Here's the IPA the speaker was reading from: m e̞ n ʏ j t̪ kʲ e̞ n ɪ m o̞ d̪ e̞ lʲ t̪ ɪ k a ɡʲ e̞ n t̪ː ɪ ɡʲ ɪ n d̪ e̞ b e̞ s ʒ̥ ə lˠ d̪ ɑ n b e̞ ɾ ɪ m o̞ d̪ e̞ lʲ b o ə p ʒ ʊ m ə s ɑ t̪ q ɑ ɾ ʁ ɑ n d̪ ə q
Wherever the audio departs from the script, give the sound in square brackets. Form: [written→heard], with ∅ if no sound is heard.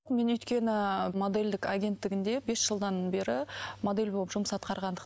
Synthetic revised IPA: m e̞ n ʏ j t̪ kʲ e̞ n ɪ m o̞ d̪ e̞ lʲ [t̪→d̪] ɪ k a ɡʲ e̞ n t̪ː ɪ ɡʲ ɪ n d̪ e̞ b e̞ s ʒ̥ ə lˠ d̪ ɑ n b e̞ ɾ ɪ m o̞ d̪ e̞ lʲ b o ə p ʒ ʊ m ə s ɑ t̪ q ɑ ɾ ʁ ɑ n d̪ ə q